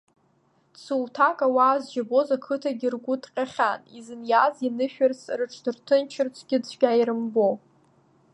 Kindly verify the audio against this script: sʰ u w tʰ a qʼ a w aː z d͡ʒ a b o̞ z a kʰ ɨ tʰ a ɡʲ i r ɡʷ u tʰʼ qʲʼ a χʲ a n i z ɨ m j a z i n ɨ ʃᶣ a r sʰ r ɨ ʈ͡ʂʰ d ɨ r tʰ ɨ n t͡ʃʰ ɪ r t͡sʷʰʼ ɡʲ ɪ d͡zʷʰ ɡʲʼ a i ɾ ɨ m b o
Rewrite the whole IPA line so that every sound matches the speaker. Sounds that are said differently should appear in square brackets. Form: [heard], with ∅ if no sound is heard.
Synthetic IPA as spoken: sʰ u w tʰ a [kʼ] a w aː z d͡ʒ a b o̞ z a kʰ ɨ tʰ a ɡʲ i r ɡʷ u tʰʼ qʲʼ a χʲ a n i z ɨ [n] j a z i n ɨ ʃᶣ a r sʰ r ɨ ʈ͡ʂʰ d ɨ r tʰ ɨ n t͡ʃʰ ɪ r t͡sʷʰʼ ɡʲ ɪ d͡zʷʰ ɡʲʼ a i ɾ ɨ m b o